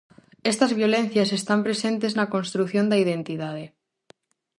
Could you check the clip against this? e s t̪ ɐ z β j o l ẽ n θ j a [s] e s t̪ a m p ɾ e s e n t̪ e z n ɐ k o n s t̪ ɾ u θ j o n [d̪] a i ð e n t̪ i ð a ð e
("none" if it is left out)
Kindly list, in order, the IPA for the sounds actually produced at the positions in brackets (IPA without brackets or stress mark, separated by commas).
s, d̪